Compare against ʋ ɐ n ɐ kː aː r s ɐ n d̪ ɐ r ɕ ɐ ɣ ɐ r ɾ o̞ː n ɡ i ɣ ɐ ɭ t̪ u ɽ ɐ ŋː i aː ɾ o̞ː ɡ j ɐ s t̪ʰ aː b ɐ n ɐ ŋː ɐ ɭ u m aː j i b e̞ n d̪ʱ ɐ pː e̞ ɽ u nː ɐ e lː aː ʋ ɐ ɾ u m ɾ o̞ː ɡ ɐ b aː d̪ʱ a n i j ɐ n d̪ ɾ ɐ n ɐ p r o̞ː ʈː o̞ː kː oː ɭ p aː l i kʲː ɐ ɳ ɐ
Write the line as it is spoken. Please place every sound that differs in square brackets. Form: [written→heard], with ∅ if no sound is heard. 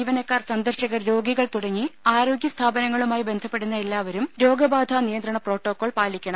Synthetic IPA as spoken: ʋ ɐ n ɐ kː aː r s ɐ n d̪ ɐ r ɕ ɐ ɣ ɐ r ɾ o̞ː [n→∅] ɡ i ɣ ɐ ɭ t̪ u ɽ ɐ ŋː i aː ɾ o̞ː ɡ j ɐ s t̪ʰ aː b ɐ n ɐ ŋː ɐ ɭ u m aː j i b e̞ n d̪ʱ ɐ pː e̞ ɽ u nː ɐ e lː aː ʋ ɐ ɾ u m ɾ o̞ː ɡ ɐ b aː d̪ʱ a n i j ɐ n d̪ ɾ ɐ [n→ɳ] ɐ p r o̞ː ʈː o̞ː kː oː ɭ p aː l i kʲː ɐ ɳ ɐ

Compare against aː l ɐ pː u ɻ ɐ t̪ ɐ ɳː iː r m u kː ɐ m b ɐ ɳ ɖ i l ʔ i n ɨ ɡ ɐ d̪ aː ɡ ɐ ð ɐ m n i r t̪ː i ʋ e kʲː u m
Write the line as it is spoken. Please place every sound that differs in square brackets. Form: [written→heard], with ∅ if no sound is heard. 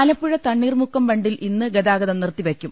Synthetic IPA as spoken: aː l ɐ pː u ɻ ɐ t̪ ɐ ɳː iː r m u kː ɐ m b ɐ ɳ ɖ i l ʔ i [n→nː] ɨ ɡ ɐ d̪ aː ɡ ɐ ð ɐ m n i r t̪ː i ʋ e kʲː u m

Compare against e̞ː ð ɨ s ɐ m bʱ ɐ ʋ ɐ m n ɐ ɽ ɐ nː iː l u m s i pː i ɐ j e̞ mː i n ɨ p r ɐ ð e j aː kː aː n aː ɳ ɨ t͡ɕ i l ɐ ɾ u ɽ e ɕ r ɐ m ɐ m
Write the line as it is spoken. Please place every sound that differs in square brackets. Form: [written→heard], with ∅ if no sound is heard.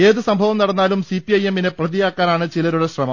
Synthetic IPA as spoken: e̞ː ð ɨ s ɐ m bʱ ɐ ʋ ɐ m n ɐ ɽ ɐ nː [iː→aː] l u m s i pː i ɐ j e̞ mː i n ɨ p r ɐ ð [e→i] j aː kː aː n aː ɳ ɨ t͡ɕ i l ɐ ɾ u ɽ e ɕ r ɐ m ɐ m

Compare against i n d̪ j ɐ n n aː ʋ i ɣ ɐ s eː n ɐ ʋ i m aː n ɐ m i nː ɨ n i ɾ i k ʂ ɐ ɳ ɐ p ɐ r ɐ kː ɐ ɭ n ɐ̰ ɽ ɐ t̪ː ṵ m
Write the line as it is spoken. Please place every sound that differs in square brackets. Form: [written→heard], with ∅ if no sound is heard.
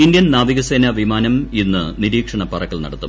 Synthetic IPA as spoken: i n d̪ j ɐ n n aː ʋ i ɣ ɐ s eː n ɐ ʋ i m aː n ɐ m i nː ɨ n i ɾ [i→iː] k ʂ ɐ ɳ ɐ p ɐ r ɐ kː ɐ ɭ n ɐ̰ ɽ ɐ t̪ː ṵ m

